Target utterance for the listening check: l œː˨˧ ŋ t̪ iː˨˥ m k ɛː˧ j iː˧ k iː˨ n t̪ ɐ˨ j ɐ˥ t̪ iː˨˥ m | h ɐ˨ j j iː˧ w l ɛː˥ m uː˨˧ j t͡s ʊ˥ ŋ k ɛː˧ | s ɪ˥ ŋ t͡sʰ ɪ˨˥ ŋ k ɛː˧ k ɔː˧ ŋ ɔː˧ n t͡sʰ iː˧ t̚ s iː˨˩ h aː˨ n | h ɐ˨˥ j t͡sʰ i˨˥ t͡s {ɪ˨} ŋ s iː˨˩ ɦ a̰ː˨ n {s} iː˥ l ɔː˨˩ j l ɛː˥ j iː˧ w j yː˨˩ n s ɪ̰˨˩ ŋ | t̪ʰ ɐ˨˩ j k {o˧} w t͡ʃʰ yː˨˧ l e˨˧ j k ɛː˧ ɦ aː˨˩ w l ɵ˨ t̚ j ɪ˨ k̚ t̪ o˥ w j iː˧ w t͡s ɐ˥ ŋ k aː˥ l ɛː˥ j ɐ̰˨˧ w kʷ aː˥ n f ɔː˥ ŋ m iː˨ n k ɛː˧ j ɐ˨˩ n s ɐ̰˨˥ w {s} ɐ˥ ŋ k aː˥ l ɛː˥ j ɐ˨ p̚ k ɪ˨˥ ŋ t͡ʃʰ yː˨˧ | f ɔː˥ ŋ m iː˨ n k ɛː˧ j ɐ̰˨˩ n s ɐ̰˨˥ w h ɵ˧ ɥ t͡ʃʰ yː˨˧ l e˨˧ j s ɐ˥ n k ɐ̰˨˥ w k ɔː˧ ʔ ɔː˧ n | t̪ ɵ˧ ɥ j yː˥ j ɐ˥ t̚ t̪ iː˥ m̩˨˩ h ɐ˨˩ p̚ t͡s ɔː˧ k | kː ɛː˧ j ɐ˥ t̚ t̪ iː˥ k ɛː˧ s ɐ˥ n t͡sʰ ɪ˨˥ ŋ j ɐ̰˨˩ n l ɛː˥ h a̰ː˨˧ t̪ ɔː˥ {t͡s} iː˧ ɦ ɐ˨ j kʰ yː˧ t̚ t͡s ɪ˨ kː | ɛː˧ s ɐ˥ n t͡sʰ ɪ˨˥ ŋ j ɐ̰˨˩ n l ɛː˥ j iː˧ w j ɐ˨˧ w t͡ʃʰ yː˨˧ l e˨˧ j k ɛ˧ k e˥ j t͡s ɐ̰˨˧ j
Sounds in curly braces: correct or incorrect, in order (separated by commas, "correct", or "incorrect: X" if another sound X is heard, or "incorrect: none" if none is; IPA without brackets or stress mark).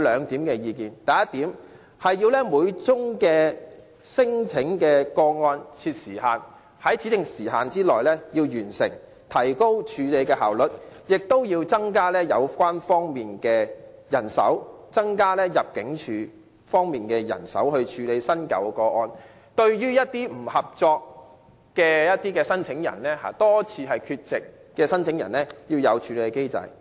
correct, incorrect: t͡s, incorrect: o˥, incorrect: t͡s, incorrect: t͡sʰ